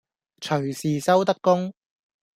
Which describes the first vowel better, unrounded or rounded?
rounded